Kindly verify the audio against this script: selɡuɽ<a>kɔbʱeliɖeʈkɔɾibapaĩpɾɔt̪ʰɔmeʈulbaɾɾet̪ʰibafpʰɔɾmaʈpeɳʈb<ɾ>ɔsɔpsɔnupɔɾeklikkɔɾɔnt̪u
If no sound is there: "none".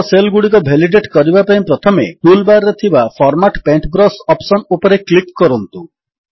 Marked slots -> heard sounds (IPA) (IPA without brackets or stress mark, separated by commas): i, ɾ